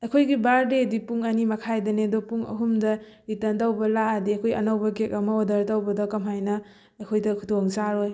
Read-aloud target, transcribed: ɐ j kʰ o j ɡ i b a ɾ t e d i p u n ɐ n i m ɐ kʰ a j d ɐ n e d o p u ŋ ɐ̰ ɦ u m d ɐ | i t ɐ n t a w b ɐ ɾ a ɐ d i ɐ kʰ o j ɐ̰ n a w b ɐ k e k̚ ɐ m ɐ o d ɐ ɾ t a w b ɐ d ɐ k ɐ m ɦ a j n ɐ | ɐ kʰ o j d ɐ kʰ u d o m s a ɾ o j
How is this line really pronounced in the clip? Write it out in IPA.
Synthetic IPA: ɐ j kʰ o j ɡ i b a ɾ d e d i p u ŋ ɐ n i m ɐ kʰ a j d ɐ n e d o p u ŋ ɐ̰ ɦ u m d ɐ | i t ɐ n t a w b ɐ l a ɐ d i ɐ kʰ o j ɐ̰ n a w b ɐ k e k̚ ɐ m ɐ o d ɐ ɾ t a w b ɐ d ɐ k ɐ m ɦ a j n ɐ | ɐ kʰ o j d ɐ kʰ u d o ŋ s a ɾ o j